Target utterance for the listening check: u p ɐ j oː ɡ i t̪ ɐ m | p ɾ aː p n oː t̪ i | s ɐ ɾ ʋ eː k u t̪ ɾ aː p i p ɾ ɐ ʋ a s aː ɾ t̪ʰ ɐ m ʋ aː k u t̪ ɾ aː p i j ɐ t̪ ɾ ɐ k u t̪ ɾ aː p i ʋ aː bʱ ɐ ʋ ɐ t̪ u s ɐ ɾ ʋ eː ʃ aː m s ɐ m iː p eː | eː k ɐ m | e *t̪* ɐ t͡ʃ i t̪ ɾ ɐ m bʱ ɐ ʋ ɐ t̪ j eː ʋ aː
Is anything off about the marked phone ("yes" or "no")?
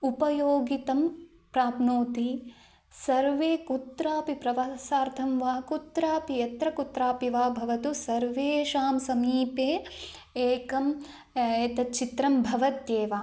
no